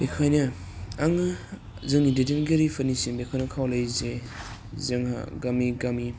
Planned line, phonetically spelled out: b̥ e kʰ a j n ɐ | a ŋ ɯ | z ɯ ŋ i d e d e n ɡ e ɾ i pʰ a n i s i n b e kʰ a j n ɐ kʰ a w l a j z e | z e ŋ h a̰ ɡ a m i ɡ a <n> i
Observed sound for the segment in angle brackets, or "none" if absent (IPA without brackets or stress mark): m